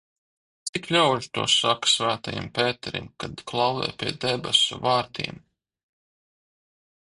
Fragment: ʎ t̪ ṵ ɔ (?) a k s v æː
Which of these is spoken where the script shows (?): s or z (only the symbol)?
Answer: s